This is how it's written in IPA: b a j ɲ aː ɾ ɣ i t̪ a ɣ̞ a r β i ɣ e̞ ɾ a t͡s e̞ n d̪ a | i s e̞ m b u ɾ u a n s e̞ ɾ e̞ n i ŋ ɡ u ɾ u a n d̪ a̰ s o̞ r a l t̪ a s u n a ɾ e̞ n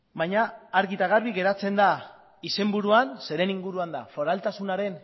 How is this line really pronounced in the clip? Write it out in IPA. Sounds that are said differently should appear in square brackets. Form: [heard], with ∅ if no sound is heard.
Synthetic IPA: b a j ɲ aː ɾ ɣ i t̪ a ɣ̞ a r β i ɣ e̞ ɾ a t͡s e̞ n d̪ a | i s e̞ m b u ɾ u a n s e̞ ɾ e̞ n i ŋ ɡ u ɾ u a n d̪ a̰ [f] o̞ [ɾ] a l t̪ a s u n a ɾ e̞ n